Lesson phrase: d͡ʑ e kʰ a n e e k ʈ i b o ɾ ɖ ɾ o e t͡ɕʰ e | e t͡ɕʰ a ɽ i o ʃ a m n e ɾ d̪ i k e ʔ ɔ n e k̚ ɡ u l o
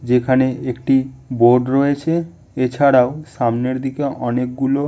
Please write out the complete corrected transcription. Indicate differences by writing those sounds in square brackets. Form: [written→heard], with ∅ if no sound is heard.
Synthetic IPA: d͡ʑ e kʰ a n e e k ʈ i b o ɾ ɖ ɾ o e t͡ɕʰ e | e t͡ɕʰ a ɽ [i→a] o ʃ a m n e ɾ d̪ i k e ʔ ɔ n e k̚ ɡ u l o